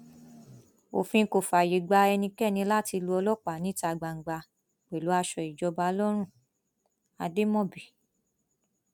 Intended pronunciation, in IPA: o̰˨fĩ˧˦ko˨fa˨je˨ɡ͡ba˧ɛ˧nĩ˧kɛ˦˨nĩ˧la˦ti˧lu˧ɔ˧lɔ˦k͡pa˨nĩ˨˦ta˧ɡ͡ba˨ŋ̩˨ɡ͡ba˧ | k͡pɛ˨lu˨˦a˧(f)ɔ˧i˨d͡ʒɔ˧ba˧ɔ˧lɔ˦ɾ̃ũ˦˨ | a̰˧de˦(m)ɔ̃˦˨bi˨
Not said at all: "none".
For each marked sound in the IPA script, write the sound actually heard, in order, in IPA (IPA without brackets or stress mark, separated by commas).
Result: ʃ, m